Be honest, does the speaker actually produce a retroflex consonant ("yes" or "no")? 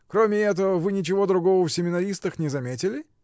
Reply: no